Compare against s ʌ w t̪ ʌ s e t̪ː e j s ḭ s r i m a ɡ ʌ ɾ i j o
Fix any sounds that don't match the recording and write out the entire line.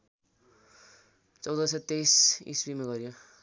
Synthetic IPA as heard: t͡s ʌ w d̪ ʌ s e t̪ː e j s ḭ s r i m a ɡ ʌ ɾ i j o